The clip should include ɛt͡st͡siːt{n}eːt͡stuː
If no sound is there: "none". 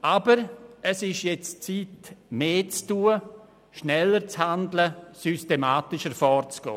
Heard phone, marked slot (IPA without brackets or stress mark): m